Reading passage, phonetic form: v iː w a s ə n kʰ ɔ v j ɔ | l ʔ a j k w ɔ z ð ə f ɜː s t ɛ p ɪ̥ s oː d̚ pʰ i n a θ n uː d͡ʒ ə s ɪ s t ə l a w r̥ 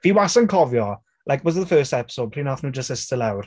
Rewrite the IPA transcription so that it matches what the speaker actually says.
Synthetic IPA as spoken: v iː w a s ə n kʰ ɔ v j ɔ | l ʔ a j k w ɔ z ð ə f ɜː s t ɛ p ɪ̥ s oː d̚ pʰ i n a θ n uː d͡ʒ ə s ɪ s t ə l a w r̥